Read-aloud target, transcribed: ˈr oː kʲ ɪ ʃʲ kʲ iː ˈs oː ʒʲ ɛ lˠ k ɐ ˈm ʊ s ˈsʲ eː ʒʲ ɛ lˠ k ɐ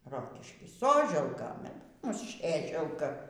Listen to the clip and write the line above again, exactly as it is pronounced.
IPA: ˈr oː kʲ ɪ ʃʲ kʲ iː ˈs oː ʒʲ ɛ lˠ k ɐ ˈm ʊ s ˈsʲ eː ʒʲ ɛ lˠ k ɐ